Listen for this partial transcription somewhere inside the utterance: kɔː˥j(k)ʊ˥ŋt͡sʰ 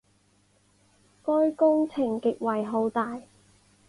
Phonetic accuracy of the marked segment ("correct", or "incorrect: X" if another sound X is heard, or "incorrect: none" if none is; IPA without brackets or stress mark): correct